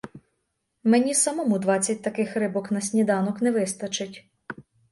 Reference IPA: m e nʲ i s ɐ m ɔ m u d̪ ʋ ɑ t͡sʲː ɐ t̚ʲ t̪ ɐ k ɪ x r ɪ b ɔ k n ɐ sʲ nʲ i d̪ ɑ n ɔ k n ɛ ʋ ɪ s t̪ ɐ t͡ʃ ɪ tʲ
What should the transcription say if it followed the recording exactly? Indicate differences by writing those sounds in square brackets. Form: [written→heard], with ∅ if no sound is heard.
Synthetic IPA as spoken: m e nʲ i s ɐ m ɔ m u d̪ ʋ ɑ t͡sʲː ɐ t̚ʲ t̪ ɐ k ɪ x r ɪ b ɔ k n ɐ sʲ nʲ i d̪ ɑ n ɔ k n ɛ ʋ ɪ s t̪ ɐ t͡ʃ ɪ tʲ